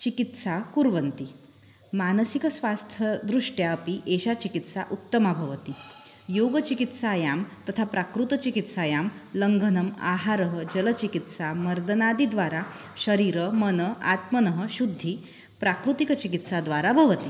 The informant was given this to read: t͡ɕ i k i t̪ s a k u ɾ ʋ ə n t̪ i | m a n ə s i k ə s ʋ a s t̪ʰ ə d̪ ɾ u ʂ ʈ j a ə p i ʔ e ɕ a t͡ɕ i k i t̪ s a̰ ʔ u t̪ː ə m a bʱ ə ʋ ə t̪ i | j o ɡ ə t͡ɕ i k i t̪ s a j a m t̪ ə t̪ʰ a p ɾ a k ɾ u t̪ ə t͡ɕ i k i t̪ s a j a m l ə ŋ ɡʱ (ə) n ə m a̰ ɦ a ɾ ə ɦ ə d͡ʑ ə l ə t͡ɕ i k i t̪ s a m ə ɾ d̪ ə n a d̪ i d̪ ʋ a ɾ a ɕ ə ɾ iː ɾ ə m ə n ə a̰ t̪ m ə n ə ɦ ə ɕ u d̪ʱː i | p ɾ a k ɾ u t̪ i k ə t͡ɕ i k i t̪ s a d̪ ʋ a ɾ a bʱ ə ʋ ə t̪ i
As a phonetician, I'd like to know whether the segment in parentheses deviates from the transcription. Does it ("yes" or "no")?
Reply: no